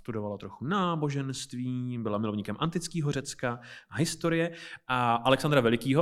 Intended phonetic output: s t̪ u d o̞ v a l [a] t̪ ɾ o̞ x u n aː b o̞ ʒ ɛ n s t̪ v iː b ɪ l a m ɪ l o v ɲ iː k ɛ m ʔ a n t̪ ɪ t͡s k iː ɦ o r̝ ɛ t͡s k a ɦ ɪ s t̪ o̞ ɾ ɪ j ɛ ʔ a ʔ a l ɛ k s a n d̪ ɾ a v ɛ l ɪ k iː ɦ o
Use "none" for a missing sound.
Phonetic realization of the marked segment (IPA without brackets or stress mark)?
a